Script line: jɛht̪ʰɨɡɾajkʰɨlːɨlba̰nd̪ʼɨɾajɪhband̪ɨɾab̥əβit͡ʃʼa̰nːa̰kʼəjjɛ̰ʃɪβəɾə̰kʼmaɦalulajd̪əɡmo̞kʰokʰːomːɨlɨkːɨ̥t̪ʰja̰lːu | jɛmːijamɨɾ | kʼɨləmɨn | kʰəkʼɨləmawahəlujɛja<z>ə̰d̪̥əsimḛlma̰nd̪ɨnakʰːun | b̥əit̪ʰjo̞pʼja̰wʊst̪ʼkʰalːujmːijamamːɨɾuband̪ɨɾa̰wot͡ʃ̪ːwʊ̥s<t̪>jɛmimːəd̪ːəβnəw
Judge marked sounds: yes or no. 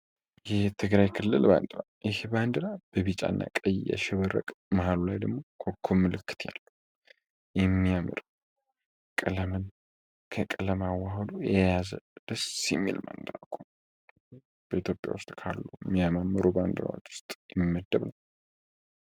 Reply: yes, no

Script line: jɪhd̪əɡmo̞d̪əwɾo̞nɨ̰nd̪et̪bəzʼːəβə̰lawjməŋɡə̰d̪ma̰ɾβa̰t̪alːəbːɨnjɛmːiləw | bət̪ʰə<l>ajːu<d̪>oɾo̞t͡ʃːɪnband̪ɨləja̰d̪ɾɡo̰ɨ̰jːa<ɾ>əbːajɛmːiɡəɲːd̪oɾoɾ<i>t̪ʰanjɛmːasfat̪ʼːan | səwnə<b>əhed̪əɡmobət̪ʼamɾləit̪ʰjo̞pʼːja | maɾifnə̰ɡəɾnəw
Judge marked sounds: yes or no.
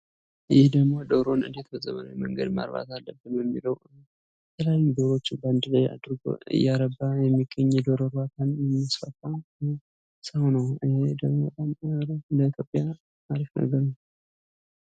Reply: yes, yes, yes, no, no

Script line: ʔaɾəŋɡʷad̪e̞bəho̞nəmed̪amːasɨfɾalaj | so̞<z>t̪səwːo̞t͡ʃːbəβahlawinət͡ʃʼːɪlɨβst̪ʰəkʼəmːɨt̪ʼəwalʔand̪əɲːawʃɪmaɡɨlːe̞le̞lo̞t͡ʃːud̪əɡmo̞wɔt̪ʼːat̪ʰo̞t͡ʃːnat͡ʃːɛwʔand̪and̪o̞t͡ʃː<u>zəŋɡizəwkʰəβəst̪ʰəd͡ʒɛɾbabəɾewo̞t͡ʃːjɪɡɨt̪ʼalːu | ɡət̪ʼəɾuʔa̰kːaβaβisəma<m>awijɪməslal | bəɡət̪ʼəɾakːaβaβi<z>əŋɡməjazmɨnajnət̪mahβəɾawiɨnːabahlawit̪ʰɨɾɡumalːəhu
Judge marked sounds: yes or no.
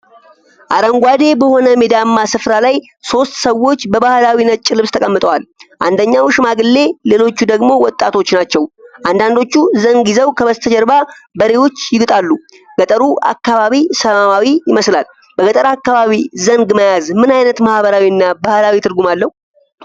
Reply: no, yes, yes, yes

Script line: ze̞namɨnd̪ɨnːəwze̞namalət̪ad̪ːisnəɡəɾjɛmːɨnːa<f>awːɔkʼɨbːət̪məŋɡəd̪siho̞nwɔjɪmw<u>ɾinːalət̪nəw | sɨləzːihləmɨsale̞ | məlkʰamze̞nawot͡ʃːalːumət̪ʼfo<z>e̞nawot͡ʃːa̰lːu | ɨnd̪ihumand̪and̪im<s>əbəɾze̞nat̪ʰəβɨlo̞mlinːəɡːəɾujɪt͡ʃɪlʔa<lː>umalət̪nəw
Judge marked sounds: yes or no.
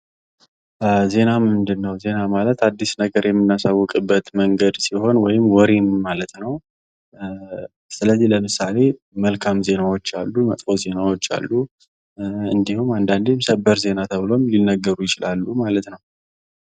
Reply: no, no, yes, yes, yes

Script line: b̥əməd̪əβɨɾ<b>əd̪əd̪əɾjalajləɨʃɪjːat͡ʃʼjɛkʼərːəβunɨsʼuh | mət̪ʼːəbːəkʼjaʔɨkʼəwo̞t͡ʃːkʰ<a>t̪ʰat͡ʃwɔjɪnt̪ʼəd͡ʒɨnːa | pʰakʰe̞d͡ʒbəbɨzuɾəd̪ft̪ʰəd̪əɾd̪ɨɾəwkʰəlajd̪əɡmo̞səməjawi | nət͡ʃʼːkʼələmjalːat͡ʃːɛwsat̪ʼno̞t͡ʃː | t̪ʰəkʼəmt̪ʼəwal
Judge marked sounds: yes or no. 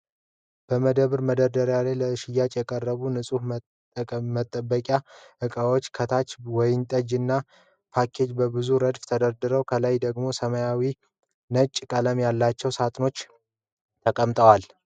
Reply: no, no

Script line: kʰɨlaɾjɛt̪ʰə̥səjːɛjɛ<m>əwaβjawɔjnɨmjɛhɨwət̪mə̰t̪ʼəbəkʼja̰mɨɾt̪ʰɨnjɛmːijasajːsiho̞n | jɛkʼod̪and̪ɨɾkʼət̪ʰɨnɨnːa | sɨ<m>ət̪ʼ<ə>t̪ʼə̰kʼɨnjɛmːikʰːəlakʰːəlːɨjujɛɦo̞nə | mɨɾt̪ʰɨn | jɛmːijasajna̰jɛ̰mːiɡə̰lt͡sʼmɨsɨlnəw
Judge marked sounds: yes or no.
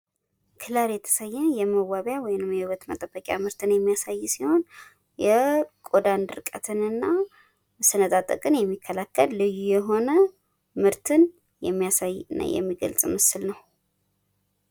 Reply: yes, no, no

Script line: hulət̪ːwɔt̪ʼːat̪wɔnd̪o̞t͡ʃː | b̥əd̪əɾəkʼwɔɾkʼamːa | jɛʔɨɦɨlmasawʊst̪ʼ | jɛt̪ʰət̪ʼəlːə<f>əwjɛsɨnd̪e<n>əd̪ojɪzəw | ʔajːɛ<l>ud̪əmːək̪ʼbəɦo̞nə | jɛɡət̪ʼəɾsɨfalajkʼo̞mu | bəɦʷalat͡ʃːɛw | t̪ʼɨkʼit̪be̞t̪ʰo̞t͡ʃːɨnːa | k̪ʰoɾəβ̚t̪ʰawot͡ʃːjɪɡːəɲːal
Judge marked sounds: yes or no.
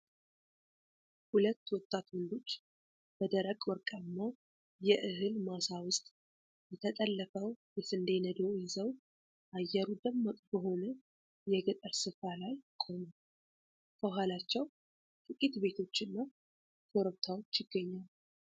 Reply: yes, yes, no

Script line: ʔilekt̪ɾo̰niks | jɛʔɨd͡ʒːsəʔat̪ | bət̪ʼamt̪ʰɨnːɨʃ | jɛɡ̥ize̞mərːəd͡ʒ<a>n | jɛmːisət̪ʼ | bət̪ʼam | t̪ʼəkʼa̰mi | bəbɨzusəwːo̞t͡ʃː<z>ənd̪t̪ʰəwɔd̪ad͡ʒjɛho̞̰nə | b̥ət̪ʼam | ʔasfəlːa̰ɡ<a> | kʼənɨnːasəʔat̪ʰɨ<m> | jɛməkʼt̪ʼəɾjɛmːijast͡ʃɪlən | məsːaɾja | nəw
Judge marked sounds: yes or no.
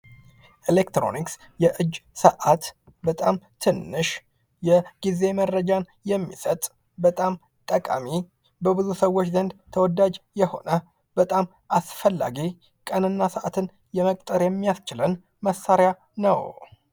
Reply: yes, yes, no, no

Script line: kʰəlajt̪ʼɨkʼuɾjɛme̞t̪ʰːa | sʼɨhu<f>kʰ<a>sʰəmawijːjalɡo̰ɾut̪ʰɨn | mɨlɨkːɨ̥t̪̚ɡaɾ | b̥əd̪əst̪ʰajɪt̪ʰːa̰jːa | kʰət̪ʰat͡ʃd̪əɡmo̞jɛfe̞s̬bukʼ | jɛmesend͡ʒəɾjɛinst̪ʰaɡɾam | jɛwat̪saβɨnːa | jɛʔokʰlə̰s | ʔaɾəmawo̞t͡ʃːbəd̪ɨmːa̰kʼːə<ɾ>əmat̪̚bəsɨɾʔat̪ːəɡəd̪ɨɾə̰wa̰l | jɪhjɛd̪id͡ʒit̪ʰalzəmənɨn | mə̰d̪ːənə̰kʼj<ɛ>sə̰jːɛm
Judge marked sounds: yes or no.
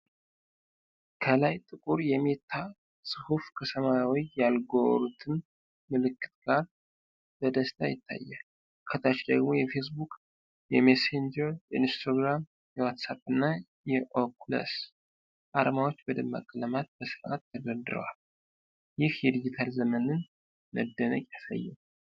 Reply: yes, no, no, no

